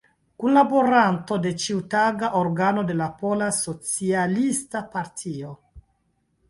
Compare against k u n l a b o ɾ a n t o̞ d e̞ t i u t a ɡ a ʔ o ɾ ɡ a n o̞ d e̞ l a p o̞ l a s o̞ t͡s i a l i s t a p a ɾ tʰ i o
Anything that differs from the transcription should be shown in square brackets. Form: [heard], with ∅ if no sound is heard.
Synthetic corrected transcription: k u n l a b o ɾ a n t o̞ d e̞ [t͡ʃ] i u t a ɡ a ʔ o ɾ ɡ a n o̞ d e̞ l a p o̞ l a s o̞ t͡s i a l i s t a p a ɾ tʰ i o